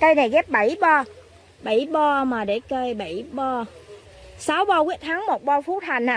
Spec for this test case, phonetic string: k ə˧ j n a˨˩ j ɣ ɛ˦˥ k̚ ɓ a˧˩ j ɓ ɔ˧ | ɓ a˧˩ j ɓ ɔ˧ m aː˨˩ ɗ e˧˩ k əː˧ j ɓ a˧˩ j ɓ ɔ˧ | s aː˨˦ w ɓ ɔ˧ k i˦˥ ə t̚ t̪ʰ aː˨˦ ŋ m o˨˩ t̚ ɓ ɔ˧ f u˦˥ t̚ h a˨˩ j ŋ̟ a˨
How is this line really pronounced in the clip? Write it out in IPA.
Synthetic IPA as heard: k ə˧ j n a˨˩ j ɣ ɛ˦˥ p̚ ɓ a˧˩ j ɓ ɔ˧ | ɓ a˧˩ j ɓ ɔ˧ m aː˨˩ ɗ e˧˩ k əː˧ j ɓ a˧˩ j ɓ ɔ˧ | s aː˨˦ w ɓ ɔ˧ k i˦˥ ə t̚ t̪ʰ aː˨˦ ŋ m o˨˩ t̚ ɓ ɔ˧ f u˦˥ t̚ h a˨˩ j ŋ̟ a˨